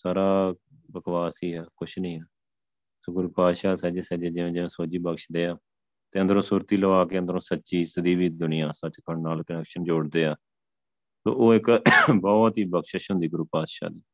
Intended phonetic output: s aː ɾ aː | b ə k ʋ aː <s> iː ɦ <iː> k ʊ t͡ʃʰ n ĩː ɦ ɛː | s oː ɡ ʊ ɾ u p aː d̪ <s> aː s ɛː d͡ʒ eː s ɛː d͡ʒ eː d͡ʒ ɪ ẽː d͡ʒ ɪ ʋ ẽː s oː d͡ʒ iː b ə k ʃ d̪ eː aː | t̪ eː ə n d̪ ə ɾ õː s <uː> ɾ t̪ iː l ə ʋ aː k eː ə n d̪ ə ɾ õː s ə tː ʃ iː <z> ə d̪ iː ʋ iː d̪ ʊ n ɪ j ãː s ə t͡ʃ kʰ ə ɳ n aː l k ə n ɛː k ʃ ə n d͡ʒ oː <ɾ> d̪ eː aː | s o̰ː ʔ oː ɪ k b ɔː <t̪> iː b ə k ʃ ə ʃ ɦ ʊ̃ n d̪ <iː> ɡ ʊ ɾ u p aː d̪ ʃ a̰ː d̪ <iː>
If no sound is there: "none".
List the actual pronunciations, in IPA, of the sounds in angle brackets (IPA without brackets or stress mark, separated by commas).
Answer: s, ɛː, ʃ, uː, s, ɽ, t̪, iː, iː